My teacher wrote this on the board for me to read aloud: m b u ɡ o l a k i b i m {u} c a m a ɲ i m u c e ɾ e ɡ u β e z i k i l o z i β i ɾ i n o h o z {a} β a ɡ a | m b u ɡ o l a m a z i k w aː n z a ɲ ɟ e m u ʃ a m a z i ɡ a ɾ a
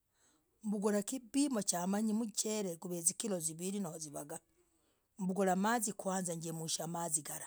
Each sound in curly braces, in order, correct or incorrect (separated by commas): incorrect, incorrect